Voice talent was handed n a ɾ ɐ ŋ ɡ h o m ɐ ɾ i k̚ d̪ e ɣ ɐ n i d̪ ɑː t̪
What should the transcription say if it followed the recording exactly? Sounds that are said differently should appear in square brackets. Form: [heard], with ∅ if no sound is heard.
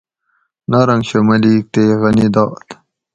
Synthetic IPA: n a ɾ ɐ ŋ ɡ [ɕ] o m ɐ [l] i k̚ [t̪] e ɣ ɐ n i d̪ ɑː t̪